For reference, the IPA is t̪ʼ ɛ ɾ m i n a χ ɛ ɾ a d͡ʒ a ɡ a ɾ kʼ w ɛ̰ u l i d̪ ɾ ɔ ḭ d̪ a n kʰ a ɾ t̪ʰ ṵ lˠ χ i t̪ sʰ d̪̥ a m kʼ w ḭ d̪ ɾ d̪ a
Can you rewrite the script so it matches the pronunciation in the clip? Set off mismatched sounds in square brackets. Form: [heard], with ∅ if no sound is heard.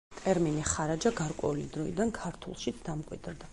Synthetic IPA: t̪ʼ ɛ ɾ m i n [i] χ [a] ɾ a d͡ʒ a ɡ a ɾ kʼ w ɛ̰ u l i d̪ ɾ ɔ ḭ d̪ a n kʰ a ɾ t̪ʰ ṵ lˠ [ʃ] i t̪ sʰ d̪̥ a m kʼ w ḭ d̪ ɾ d̪ a